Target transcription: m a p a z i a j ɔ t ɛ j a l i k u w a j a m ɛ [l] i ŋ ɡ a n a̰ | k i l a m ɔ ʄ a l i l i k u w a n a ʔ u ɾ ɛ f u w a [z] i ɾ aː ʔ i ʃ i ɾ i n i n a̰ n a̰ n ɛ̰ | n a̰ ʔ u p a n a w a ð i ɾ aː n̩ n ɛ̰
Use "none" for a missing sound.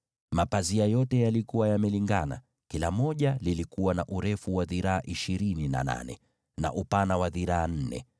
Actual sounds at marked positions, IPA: l, ð

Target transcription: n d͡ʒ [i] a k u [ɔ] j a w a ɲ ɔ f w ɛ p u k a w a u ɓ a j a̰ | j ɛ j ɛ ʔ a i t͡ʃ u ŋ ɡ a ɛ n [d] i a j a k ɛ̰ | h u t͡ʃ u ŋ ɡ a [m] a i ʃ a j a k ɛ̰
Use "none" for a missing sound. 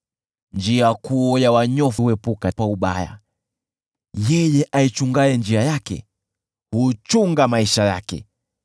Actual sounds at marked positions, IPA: i, ɔ, d͡ʒ, m

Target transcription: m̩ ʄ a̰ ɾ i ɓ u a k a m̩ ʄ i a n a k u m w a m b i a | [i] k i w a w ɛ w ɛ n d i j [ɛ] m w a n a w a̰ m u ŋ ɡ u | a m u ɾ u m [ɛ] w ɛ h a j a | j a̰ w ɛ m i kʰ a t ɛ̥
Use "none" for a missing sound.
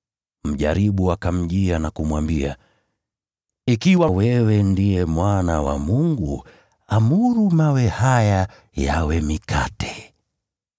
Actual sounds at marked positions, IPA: i, ɛ, a

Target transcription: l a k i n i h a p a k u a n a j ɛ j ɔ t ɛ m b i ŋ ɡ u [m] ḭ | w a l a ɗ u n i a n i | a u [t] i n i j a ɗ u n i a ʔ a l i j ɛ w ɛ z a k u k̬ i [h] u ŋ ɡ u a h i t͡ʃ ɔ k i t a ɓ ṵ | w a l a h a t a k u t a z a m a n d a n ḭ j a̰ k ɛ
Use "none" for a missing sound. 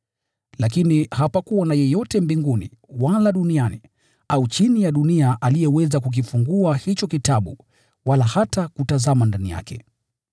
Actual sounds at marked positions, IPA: n, t͡ʃ, f

